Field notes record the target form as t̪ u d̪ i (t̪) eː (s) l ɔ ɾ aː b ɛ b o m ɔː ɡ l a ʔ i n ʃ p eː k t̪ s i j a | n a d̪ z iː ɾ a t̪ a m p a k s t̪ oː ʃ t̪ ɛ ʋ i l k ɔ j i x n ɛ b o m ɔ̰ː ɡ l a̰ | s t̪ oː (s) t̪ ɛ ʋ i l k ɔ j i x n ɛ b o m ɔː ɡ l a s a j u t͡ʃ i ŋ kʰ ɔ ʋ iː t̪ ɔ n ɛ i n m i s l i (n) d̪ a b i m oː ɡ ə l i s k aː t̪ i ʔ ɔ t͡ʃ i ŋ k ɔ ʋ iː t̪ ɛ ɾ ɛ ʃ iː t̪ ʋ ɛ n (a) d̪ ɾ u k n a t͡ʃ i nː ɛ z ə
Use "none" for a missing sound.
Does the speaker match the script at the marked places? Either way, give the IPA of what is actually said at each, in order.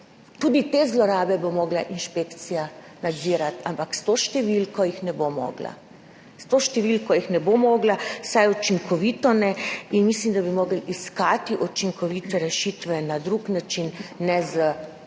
t̪, z, ʃ, m, a

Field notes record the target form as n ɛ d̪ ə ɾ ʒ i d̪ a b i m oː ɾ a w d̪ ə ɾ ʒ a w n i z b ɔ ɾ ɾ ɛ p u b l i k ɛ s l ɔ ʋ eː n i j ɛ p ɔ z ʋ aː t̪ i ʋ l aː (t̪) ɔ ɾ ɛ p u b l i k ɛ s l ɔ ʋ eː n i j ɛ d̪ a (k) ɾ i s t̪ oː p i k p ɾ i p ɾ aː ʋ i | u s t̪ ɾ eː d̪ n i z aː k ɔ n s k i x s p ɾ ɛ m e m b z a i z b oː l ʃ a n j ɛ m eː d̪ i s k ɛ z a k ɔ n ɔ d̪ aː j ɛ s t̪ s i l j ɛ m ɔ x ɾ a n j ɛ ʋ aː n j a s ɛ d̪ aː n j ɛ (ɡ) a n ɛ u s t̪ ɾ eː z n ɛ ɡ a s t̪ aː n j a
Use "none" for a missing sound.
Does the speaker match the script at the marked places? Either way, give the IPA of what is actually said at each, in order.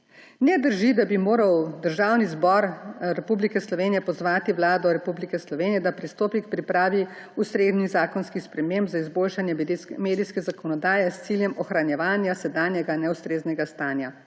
d̪, p, ɡ

